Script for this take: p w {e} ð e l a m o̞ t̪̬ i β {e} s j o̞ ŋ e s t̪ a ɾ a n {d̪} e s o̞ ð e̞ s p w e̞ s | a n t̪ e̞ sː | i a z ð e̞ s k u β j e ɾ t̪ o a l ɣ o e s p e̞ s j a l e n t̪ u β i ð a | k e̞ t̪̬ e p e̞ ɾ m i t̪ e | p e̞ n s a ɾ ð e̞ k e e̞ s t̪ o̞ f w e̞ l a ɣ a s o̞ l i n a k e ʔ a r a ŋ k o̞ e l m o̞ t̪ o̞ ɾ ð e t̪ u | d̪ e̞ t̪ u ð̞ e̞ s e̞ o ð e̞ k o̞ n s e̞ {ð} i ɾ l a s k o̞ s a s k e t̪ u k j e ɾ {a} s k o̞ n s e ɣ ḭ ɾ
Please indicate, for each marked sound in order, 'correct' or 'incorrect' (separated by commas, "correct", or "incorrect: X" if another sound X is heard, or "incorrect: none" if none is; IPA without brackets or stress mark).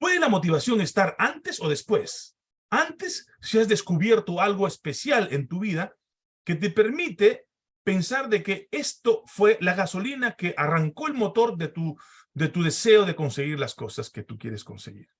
correct, incorrect: a, incorrect: t̪, incorrect: ɣ, incorrect: e